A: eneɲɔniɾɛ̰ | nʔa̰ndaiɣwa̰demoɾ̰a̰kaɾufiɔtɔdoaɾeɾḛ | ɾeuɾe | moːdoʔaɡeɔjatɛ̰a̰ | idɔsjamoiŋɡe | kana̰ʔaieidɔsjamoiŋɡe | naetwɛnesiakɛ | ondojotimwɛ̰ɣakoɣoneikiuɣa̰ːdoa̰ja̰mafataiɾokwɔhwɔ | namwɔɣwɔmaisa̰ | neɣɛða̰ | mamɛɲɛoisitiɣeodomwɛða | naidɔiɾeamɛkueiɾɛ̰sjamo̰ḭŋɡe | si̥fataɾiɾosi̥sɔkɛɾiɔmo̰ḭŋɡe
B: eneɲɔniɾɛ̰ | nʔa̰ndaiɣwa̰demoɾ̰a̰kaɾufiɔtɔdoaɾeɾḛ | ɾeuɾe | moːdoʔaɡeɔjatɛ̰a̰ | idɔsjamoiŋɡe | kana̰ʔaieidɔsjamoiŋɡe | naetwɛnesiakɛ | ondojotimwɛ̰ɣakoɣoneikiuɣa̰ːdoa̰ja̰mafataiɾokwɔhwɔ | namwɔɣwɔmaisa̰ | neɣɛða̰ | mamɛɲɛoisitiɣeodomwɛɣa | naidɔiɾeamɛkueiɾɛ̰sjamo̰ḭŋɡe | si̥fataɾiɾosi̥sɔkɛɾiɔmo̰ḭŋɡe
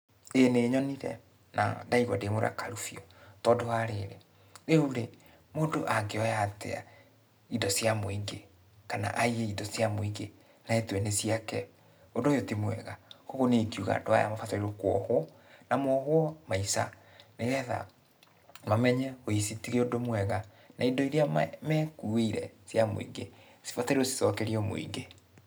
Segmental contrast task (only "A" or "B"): B